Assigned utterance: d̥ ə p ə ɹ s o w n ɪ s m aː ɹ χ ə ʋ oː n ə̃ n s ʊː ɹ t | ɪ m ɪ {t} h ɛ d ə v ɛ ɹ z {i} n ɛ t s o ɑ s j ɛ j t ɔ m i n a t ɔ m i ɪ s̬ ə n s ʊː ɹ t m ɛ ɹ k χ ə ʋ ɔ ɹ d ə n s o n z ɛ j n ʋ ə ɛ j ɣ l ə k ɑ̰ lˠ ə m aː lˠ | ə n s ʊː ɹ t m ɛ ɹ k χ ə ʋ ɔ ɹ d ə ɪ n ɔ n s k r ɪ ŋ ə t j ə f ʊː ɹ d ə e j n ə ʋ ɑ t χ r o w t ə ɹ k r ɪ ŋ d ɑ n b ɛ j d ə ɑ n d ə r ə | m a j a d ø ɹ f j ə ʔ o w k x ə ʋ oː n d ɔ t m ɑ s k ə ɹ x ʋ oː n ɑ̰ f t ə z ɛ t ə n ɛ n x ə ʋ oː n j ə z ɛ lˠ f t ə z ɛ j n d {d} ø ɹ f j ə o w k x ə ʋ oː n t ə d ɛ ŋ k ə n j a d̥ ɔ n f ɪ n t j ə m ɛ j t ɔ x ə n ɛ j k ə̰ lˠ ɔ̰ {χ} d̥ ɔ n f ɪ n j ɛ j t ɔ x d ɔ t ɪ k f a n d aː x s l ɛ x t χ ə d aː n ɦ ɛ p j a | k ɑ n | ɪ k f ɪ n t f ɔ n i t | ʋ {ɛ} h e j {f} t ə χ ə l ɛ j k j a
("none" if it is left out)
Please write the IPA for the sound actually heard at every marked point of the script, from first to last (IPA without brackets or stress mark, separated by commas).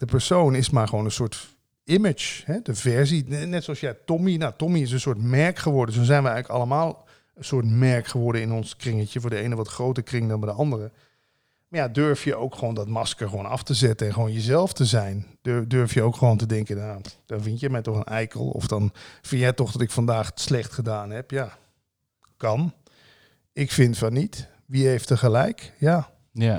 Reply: t͡ʃ, i, d, f, i, f